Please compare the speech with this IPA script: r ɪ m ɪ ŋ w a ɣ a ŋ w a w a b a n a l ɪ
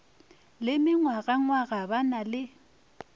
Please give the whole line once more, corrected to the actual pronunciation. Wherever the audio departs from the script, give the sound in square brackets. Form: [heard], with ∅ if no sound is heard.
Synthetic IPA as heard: [l] ɪ m ɪ ŋ w a ɣ a ŋ w a [ɣ] a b a n a l ɪ